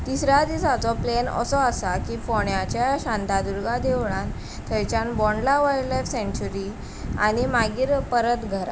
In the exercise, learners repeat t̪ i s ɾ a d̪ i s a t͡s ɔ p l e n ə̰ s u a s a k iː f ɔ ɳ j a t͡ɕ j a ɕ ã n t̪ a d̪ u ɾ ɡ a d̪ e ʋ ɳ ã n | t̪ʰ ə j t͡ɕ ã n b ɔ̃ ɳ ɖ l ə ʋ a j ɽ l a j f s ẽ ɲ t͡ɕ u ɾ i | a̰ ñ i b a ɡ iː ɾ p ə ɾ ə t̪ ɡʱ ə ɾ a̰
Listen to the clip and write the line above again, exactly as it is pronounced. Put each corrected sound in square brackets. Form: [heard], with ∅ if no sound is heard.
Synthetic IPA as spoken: t̪ i s ɾ a d̪ i s a t͡s ɔ p l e n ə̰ s [ɔ] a s a k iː f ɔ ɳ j a t͡ɕ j a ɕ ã n t̪ a d̪ u ɾ ɡ a d̪ e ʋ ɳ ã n | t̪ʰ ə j t͡ɕ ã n b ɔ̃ ɳ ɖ l [a] ʋ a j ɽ l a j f s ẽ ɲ t͡ɕ u ɾ i | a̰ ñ i [m] a ɡ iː ɾ p ə ɾ ə t̪ ɡʱ ə ɾ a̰